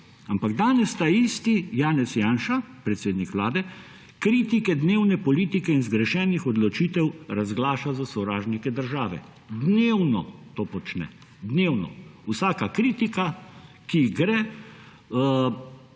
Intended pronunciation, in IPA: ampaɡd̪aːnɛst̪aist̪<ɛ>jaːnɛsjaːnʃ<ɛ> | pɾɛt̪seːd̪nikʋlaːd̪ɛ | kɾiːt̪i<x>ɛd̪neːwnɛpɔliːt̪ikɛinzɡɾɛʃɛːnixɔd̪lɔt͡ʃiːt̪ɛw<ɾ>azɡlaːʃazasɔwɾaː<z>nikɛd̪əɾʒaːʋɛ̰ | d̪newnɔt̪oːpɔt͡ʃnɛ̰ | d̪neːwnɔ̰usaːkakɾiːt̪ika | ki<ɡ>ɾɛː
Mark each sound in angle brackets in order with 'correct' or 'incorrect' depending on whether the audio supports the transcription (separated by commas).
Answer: incorrect, incorrect, incorrect, correct, incorrect, correct